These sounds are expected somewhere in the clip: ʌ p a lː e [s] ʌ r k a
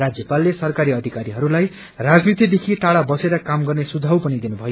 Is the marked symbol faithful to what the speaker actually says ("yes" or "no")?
yes